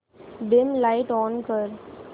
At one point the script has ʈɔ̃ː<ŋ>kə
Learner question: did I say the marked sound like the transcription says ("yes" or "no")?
no